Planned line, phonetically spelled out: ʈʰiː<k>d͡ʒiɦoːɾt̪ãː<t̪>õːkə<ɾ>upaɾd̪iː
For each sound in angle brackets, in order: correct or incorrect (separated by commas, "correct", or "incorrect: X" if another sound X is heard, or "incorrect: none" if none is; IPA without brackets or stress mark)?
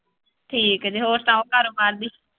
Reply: correct, incorrect: none, correct